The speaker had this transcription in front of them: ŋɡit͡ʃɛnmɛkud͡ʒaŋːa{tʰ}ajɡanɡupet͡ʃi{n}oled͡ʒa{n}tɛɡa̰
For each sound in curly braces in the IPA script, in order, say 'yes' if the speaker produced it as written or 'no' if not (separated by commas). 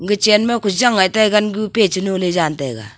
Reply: no, yes, yes